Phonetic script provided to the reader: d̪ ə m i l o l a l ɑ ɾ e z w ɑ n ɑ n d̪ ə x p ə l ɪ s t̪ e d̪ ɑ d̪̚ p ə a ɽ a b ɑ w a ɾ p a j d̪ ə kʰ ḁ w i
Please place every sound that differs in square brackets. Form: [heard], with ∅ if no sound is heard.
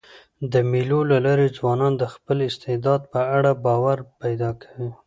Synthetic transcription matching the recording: d̪ ə m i l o l a l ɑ ɾ e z w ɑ n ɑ n d̪ ə x p ə l ɪ s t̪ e d̪ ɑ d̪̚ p ə a ɽ a b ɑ w a ɾ p a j d̪ [ɑ] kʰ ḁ w i